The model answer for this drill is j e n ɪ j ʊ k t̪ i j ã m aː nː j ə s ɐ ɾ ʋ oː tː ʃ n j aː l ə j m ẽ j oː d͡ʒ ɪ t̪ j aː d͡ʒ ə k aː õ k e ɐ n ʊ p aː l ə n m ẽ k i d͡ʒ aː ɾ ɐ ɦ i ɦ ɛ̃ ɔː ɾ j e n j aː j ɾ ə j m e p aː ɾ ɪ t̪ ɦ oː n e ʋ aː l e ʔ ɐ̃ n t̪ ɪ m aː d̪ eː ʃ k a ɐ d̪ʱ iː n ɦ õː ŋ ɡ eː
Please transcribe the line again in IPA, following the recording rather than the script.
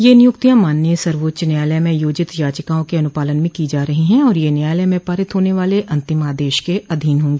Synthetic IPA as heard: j e n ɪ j ʊ k t̪ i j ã m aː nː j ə s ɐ ɾ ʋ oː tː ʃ n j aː l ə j m ẽ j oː d͡ʒ ɪ t̪ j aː d͡ʒ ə k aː õ k e ɐ n ʊ p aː l ə n m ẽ k i d͡ʒ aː ɾ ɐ ɦ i ɦ ɛ̃ ɔː ɾ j e n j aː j l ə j m ẽ p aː ɾ ɪ t̪ ɦ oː n e ʋ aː l e ʔ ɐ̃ n t̪ ɪ m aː d̪ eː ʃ k e ɐ d̪ʱ iː n ɦ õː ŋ ɡ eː